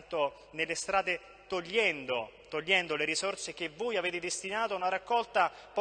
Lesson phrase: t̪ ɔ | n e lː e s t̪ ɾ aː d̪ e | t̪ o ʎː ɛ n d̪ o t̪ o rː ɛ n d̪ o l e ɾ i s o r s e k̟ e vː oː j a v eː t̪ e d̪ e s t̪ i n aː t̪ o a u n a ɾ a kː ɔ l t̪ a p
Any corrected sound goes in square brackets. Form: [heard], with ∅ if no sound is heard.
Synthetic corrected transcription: t̪ [o] | n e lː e s t̪ ɾ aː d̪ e | t̪ o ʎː ɛ n d̪ o t̪ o [ʎː] ɛ n d̪ o l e ɾ i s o r s e k̟ e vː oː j a v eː t̪ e d̪ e s t̪ i n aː t̪ o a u n a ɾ a kː ɔ l t̪ a p